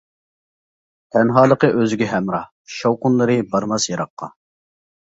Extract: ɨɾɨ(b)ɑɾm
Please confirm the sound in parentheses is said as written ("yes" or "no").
yes